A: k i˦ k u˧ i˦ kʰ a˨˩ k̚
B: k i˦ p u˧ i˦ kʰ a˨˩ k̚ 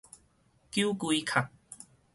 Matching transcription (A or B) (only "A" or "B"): A